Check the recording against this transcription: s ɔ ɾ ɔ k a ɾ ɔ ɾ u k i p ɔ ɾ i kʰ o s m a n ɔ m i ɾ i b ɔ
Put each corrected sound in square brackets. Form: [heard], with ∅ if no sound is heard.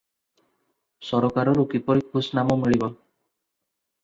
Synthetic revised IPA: s ɔ ɾ ɔ k a ɾ ɔ ɾ u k i p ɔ ɾ i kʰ [u] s [n] a [m] ɔ m i [ɭ] i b ɔ

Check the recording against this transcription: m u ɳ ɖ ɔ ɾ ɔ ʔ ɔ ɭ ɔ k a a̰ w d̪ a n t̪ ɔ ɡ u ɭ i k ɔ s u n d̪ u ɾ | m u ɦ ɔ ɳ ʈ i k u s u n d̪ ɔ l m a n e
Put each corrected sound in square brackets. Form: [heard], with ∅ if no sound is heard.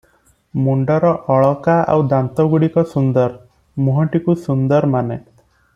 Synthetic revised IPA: m u ɳ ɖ ɔ ɾ ɔ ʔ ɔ ɭ ɔ k a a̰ w d̪ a n t̪ ɔ ɡ u [ɽ] i k ɔ s u n d̪ [ɔ] ɾ | m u ɦ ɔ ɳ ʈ i k u s u n d̪ ɔ [ɾ] m a n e

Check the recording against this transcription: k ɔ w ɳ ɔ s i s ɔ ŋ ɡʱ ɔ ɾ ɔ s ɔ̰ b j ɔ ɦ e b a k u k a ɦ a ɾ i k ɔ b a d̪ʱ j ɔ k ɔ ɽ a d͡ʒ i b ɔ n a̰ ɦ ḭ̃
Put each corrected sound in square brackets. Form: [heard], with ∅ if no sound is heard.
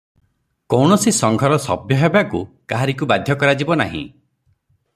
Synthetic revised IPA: k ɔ w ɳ ɔ s i s ɔ ŋ ɡʱ ɔ ɾ ɔ s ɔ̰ b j ɔ ɦ e b a k u k a ɦ a ɾ i k [u] b a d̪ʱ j ɔ k ɔ [ɾ] a d͡ʒ i b ɔ n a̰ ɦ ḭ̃

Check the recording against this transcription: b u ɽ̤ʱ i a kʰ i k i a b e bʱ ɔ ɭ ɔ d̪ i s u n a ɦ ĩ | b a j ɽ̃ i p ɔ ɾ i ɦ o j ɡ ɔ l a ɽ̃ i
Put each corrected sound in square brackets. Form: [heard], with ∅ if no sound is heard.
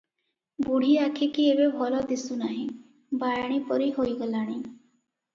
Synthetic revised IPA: b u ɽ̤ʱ i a kʰ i k i [e] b e bʱ ɔ [l] ɔ d̪ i s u n a ɦ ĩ | b a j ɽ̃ i p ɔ ɾ i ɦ o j ɡ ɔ l a ɽ̃ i

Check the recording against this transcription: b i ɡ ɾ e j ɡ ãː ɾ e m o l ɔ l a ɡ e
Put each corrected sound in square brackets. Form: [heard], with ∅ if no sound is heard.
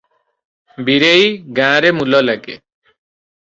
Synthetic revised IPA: b i [∅] ɾ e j ɡ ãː ɾ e m [u] l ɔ l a ɡ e

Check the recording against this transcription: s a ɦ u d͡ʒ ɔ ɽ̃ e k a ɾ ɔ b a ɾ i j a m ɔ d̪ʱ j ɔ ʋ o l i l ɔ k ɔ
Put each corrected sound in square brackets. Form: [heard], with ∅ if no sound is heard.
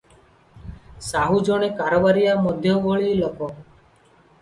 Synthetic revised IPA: s a ɦ u d͡ʒ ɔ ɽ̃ e k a ɾ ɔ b a ɾ i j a m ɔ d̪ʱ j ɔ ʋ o [ɭ] i l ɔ k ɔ

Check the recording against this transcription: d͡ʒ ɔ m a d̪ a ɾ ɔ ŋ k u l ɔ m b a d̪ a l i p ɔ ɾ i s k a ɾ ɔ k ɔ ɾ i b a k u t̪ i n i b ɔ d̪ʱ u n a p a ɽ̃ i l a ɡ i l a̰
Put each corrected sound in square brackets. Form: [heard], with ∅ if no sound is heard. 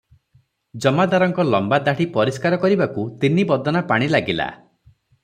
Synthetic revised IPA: d͡ʒ ɔ m a d̪ a ɾ ɔ ŋ k [ɔ] l ɔ m b a d̪ a [ɽ] i p ɔ ɾ i s k a ɾ ɔ k ɔ ɾ i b a k u t̪ i n i b ɔ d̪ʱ [ɔ] n a p a ɽ̃ i l a ɡ i l a̰

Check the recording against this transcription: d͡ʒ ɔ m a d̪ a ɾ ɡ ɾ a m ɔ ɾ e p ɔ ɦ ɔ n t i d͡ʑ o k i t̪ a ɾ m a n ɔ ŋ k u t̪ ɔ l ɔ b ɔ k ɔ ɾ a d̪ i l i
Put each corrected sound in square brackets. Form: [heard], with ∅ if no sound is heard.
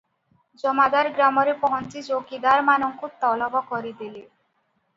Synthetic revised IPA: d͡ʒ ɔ m a d̪ a ɾ ɡ ɾ a m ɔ ɾ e p ɔ ɦ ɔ n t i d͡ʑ o k i [d̪] a ɾ m a n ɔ ŋ k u t̪ ɔ l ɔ b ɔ k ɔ ɾ [i] d̪ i l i

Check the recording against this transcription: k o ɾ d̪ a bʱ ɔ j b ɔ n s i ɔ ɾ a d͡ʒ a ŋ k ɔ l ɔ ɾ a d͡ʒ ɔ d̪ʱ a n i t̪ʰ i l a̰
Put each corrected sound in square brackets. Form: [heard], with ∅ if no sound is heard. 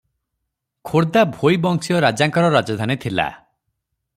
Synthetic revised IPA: [kʰ] o ɾ d̪ a bʱ [o] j b ɔ [ŋ] s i ɔ ɾ a d͡ʒ a ŋ k ɔ [ɾ] ɔ ɾ a d͡ʒ ɔ d̪ʱ a n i t̪ʰ i l a̰

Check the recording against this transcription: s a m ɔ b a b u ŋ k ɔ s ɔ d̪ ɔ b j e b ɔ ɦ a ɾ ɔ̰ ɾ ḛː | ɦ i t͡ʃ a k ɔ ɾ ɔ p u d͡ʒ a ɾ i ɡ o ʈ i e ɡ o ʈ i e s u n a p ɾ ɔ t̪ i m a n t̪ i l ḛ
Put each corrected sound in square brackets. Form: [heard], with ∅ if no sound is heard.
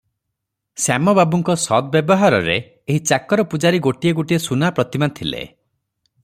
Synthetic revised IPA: s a m ɔ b a b u ŋ k ɔ s ɔ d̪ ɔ b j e b ɔ ɦ a ɾ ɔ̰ ɾ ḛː | ɦ i t͡ʃ a k ɔ ɾ ɔ p u d͡ʒ a ɾ i ɡ o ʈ i e ɡ o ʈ i e s u n a p ɾ ɔ t̪ i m a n [t̪ʰ] i l ḛ

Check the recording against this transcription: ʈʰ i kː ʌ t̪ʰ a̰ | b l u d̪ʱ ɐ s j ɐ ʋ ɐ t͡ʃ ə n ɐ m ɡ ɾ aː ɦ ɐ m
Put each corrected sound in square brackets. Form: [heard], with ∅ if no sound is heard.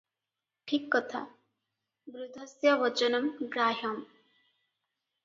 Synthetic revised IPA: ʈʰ i kː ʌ t̪ʰ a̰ | b [ɾ] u d̪ʱ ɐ s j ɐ ʋ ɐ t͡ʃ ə n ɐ m ɡ ɾ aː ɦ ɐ m

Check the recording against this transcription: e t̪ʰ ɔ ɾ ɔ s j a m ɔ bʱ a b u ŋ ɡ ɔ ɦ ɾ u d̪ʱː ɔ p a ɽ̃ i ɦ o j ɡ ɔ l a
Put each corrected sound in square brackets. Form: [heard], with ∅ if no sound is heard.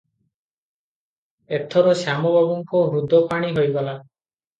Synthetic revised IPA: e t̪ʰ ɔ ɾ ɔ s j a m ɔ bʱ a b [ɔ] ŋ [k] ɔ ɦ ɾ u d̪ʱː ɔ p a ɽ̃ i ɦ o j ɡ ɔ l a

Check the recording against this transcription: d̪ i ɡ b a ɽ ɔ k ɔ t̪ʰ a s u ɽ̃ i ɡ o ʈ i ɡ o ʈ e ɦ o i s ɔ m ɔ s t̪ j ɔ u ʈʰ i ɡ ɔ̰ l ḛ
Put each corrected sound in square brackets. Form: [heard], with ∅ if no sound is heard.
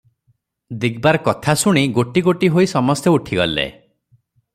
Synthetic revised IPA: d̪ i ɡ b a [ɾ] ɔ k ɔ t̪ʰ a s u ɽ̃ i ɡ o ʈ i ɡ o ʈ [i] ɦ o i s ɔ m ɔ s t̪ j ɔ u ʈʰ i ɡ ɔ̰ l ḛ

